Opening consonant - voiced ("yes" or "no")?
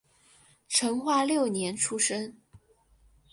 no